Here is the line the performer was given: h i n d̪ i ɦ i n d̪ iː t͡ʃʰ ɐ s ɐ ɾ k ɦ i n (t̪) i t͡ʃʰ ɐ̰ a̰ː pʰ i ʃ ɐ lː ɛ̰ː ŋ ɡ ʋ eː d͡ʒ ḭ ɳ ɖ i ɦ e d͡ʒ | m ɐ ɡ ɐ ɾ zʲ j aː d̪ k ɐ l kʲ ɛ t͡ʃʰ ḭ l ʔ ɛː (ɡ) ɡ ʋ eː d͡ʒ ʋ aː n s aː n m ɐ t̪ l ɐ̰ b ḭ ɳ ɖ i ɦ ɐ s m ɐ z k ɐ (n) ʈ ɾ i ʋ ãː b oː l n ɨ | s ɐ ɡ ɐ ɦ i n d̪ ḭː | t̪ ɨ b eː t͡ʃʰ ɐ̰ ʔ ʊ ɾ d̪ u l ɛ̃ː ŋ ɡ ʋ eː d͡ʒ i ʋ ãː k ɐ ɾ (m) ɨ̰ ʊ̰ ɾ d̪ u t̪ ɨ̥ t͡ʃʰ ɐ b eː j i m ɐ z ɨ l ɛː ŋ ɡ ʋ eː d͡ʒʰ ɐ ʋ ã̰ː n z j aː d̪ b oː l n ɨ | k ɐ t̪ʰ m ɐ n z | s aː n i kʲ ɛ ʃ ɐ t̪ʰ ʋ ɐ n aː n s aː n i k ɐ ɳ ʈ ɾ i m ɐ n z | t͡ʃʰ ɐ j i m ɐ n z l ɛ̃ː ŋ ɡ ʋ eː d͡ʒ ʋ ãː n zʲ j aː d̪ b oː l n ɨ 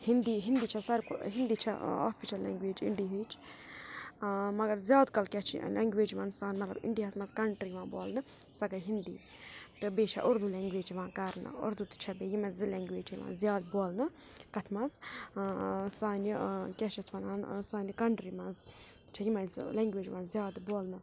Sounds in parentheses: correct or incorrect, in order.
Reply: incorrect, incorrect, incorrect, incorrect

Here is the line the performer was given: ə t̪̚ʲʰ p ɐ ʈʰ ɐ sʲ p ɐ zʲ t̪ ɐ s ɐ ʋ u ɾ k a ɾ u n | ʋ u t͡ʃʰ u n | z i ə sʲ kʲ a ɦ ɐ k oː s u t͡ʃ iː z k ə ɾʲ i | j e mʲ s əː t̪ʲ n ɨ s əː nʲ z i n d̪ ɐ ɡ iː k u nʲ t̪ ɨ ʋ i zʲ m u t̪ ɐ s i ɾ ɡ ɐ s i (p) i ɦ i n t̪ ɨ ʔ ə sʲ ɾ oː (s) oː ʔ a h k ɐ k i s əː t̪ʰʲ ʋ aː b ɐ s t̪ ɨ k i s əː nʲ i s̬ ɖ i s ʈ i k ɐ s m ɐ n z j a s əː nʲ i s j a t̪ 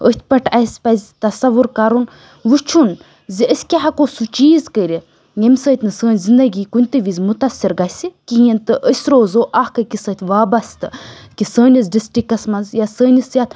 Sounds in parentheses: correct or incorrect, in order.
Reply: incorrect, incorrect

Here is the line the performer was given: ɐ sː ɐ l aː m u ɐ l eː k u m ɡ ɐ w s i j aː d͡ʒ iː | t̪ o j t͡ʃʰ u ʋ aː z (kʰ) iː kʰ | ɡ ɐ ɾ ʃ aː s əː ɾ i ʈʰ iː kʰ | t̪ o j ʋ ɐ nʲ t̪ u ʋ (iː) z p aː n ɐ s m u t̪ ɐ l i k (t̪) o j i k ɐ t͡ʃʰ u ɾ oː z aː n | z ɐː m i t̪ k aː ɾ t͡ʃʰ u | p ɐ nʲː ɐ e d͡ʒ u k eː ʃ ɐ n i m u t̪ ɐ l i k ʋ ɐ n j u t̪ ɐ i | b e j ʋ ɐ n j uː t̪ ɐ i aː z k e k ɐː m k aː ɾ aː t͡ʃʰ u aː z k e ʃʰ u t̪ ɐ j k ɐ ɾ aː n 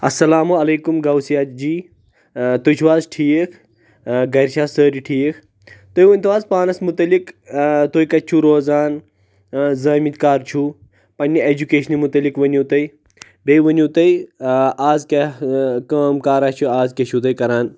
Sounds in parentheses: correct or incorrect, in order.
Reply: incorrect, incorrect, correct

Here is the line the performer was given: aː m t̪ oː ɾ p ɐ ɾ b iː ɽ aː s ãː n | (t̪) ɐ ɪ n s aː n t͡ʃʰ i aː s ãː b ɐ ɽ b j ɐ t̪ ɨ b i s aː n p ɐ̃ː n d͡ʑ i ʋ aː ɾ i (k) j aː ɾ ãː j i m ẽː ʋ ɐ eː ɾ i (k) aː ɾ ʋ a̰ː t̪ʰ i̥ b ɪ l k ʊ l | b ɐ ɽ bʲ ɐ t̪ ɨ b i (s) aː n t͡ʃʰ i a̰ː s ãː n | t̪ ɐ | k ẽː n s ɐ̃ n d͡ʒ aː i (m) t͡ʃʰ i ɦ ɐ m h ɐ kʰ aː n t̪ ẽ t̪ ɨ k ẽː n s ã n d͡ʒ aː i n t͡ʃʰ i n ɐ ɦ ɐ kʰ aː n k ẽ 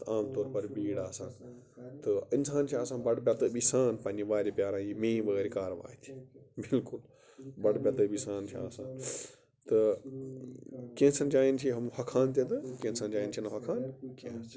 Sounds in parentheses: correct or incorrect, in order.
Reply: correct, incorrect, correct, correct, incorrect

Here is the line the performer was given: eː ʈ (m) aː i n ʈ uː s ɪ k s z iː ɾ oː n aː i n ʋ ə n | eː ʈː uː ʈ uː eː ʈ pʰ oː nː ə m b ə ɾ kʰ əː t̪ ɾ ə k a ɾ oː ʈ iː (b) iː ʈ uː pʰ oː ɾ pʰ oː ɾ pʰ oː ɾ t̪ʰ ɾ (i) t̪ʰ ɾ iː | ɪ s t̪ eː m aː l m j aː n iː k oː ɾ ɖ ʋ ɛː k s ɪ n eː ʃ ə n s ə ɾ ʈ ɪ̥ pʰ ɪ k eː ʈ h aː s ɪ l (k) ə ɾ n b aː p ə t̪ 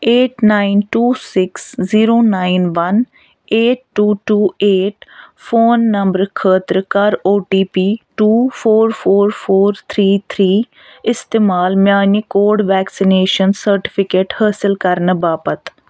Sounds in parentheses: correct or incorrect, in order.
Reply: incorrect, incorrect, incorrect, correct

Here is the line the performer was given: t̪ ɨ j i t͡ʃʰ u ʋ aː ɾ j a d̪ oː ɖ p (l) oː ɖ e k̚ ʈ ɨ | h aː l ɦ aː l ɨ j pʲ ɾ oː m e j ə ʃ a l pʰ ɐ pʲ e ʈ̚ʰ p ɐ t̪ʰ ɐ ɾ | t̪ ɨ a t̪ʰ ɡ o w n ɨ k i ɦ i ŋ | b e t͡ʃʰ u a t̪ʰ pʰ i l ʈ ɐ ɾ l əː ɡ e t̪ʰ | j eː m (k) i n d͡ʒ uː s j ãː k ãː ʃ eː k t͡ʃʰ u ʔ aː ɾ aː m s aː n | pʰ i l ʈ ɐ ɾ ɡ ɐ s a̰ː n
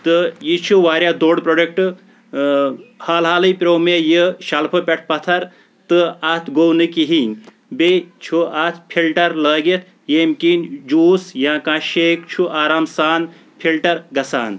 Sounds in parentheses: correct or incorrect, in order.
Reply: incorrect, correct

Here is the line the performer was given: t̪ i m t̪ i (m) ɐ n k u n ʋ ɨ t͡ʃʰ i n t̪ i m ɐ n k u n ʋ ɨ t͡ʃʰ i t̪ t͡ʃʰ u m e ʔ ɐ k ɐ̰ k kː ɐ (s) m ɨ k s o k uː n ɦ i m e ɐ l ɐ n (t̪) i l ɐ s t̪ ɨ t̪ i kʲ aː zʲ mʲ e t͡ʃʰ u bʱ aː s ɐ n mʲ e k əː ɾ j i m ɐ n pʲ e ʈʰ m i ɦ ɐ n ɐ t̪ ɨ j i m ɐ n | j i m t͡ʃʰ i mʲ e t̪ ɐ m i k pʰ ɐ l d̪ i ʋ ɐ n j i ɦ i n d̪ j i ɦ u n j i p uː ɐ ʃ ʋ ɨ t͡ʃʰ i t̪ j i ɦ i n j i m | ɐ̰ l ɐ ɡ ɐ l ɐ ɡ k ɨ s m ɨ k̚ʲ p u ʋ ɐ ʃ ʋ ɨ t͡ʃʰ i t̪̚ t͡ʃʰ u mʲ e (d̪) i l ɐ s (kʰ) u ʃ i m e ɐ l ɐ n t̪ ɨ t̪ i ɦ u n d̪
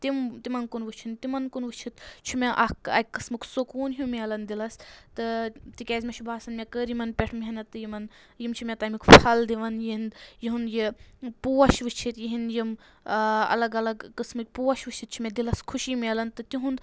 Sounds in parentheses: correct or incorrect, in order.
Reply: correct, correct, incorrect, correct, correct

